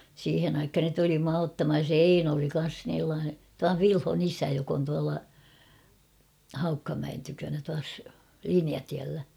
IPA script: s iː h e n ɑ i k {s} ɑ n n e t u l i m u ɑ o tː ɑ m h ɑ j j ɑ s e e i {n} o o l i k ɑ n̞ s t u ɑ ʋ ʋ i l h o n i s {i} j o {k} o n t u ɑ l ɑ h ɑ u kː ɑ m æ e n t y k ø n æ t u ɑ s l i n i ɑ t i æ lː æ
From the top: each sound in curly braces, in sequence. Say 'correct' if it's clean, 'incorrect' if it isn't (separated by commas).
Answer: incorrect, correct, incorrect, correct